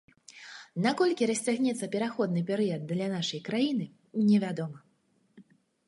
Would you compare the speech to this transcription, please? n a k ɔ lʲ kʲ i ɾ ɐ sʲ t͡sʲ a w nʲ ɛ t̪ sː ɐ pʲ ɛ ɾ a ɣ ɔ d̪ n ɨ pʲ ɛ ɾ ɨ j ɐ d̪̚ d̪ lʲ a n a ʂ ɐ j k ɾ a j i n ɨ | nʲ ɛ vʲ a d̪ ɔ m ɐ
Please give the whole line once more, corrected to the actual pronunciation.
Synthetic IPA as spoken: n a k ɔ lʲ kʲ i ɾ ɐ sʲ t͡sʲ a ɣ nʲ ɛ t̪ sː ɐ pʲ ɛ ɾ a x ɔ d̪ n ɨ pʲ ɛ ɾ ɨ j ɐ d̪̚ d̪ lʲ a n a ʂ ɐ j k ɾ a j i n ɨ | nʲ ɛ vʲ a d̪ ɔ m ɐ